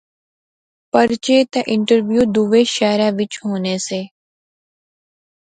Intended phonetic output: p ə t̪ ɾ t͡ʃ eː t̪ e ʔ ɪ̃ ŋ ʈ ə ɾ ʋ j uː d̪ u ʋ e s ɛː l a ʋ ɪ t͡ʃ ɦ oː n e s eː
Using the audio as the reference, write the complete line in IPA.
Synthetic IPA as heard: p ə ɾ t͡ʃ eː t̪ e ʔ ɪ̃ ɳ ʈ ə ɾ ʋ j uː d̪ u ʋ e ʃ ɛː ɾ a ʋ ɪ t͡ʃ ɦ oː n e s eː